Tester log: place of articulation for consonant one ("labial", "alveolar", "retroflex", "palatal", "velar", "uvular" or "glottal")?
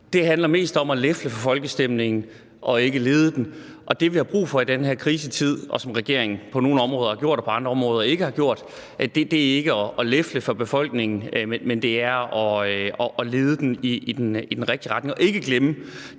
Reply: alveolar